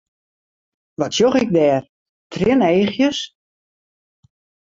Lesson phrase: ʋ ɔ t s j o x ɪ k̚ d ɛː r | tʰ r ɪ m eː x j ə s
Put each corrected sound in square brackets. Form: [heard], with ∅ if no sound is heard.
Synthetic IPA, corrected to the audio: ʋ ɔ t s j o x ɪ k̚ d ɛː r | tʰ r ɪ [n] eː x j ə s

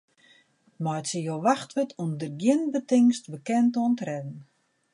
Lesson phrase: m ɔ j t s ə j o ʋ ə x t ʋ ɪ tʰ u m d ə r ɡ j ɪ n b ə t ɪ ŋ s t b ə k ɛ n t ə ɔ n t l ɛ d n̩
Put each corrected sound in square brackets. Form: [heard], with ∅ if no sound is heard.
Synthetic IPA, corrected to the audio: m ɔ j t s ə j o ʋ [a] x t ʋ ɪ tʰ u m d ə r ɡ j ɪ n b ə t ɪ ŋ s t b ə k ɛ n t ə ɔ n t [r] ɛ d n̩

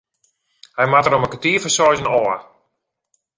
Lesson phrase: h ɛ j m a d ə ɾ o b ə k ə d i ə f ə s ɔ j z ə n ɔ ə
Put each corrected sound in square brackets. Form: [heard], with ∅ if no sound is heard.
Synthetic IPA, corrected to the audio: h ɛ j m a [t] ə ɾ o [m] ə k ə [t] i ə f ə s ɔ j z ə n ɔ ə

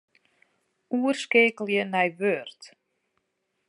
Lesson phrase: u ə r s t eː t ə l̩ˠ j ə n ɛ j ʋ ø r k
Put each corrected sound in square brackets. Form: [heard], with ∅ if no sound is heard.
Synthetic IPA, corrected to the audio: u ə r s [k] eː [k] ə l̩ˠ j ə n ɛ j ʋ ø r [t]

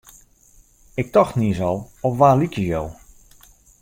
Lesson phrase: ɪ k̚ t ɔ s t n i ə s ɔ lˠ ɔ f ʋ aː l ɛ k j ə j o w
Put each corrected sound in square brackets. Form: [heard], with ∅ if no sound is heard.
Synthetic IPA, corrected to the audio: ɪ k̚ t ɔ [x] t n i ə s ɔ lˠ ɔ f ʋ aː l [i] k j ə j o w

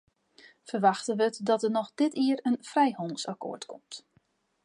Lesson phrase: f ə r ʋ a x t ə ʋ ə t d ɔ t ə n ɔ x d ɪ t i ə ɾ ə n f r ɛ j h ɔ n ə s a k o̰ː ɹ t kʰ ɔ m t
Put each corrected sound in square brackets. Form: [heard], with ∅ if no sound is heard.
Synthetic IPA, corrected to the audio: f ə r ʋ a x t ə ʋ ə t d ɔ t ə n ɔ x d ɪ t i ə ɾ ə n f r ɛ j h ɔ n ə s a k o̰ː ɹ t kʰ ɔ m t

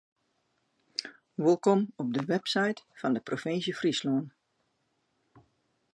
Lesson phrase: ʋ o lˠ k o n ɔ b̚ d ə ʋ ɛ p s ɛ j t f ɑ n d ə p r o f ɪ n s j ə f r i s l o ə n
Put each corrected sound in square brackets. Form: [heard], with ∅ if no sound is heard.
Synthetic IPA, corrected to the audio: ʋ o lˠ k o [m] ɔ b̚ d ə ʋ ɛ p s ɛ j t f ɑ n d ə p r o f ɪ n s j ə f r i s l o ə n

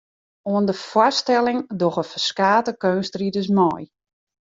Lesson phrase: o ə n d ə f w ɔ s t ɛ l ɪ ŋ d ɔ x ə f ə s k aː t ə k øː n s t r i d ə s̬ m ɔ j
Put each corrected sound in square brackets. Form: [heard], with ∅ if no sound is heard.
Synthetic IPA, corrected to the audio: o ə n d ə f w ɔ s t ɛ l ɪ ŋ d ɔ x ə f ə s k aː t ə k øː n s t r i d ə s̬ m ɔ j

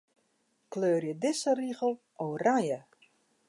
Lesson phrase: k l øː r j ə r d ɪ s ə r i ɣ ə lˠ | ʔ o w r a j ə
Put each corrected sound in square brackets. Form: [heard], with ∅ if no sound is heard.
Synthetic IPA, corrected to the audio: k l øː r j ə [∅] d ɪ s ə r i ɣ ə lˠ | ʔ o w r a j ə

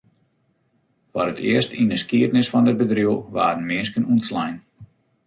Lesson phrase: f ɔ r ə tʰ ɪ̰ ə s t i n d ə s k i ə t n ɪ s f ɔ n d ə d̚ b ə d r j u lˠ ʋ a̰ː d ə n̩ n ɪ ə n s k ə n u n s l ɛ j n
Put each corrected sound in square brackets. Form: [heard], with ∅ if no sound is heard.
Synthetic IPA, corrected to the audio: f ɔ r ə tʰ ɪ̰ ə s t i n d ə s k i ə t n ɪ s f ɔ n d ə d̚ b ə d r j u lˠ ʋ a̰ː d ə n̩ [m] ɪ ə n s k ə n u n s l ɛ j n

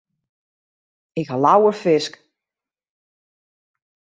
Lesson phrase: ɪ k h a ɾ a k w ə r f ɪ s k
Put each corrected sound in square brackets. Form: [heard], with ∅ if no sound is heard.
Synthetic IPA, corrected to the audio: ɪ k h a [l] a [∅] w ə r f ɪ s k

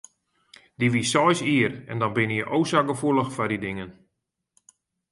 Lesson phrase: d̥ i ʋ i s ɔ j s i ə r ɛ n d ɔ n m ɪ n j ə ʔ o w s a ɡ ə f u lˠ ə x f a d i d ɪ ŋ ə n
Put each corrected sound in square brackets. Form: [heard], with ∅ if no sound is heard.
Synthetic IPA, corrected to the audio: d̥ i ʋ i s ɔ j s i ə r ɛ n d ɔ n [b] ɪ n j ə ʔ o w s a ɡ ə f u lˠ ə x f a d i d ɪ ŋ ə n

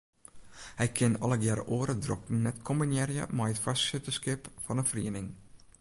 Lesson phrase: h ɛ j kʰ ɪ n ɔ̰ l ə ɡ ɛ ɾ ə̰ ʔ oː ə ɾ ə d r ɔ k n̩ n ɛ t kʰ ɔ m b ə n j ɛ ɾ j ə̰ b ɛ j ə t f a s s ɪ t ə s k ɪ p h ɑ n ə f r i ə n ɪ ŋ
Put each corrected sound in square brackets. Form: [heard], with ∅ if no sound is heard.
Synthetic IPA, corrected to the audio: h ɛ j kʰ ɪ n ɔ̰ l ə ɡ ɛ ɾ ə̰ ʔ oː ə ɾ ə d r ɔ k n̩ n ɛ t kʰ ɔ m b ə n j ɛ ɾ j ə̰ [m] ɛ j ə t f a s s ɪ t ə s k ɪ p [f] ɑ n ə f r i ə n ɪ ŋ

